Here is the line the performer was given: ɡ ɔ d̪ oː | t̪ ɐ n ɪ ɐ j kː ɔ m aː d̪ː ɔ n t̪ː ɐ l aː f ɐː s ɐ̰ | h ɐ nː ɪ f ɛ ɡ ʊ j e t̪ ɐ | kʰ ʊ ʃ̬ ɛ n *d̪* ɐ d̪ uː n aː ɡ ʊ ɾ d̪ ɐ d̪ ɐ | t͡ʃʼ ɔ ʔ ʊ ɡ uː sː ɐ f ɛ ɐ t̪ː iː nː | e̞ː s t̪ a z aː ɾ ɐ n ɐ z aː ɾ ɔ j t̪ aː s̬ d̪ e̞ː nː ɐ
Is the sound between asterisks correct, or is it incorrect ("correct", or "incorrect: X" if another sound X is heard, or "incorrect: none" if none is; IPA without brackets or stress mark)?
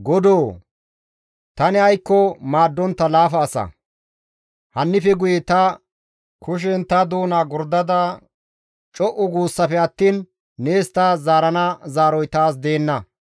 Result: incorrect: t̪